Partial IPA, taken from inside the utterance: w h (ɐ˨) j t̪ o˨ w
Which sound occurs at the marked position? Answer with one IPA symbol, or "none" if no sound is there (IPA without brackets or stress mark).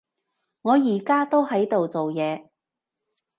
ɐ˨˥